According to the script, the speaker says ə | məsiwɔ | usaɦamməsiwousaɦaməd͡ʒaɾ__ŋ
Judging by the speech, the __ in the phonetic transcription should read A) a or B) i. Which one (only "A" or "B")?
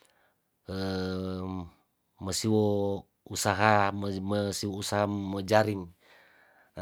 B